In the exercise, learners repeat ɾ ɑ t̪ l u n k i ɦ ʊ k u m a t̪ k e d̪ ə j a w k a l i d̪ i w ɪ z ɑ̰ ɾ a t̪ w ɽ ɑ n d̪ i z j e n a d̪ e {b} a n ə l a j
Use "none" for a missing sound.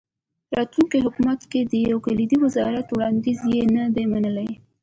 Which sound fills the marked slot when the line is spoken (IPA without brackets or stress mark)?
m